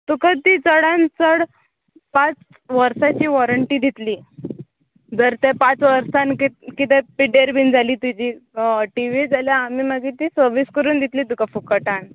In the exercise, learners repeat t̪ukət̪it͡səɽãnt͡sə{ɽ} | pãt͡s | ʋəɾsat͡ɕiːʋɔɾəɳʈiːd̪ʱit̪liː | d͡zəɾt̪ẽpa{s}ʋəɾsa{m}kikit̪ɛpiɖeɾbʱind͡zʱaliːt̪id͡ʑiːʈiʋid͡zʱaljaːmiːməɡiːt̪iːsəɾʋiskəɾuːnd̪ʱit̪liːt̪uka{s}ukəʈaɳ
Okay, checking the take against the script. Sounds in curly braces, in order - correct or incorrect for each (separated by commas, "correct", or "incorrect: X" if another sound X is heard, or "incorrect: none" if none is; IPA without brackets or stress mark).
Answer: correct, incorrect: t͡s, incorrect: n, incorrect: f